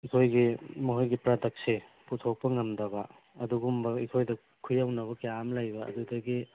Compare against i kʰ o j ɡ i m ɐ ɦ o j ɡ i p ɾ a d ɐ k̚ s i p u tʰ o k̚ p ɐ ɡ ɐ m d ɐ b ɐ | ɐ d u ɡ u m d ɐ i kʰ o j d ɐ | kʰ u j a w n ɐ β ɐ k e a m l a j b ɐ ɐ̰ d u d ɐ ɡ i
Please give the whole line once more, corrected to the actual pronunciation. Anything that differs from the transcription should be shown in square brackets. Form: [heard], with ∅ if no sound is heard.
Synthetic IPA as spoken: i kʰ o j ɡ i m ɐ ɦ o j ɡ i p ɾ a d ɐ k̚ s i p u tʰ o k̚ p ɐ [ŋ] ɐ m d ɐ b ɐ | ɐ d u ɡ u m [b] ɐ i kʰ o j d ɐ | kʰ u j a w n ɐ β ɐ k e a m l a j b ɐ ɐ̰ d u d ɐ ɡ i